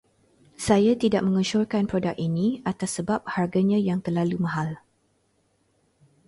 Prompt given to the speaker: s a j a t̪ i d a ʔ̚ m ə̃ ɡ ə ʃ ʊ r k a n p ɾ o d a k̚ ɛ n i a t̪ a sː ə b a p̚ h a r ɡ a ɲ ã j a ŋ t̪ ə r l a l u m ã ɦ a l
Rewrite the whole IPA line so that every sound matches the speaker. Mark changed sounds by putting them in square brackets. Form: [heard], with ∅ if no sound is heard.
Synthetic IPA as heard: s a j a t̪ i d a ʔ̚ m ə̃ [ŋ] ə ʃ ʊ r k a n p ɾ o d a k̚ [i] n i a t̪ a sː ə b a p̚ h a r ɡ a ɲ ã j a ŋ t̪ ə r l a l u m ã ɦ a l